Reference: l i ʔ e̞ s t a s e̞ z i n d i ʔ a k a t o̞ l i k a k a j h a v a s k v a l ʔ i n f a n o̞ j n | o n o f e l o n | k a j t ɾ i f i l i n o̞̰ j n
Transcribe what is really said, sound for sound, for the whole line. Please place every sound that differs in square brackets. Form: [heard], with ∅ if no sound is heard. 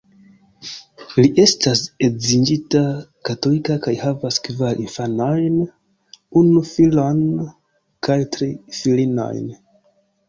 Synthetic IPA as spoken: l i ʔ e̞ s t a s e̞ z i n [d͡ʒ] i [t] a k a t o̞ l i k a k a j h a v a s k v a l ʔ i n f a n o̞ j n | [u] n [u] f [i] l o n | k a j t ɾ i f i l i n o̞̰ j n